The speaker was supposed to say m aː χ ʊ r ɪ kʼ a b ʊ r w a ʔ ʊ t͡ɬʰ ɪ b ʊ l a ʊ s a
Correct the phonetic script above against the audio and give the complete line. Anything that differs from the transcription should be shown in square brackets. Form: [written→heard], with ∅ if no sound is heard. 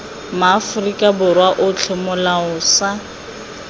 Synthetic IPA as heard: m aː [χ→f] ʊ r [ɪ→i] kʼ a b ʊ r w a ʔ ʊ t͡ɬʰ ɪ [b→m] ʊ l a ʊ s a